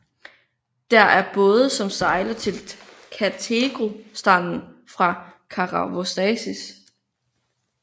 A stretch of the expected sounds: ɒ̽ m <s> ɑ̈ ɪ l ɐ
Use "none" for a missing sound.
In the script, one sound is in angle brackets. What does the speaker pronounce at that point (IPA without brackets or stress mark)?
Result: s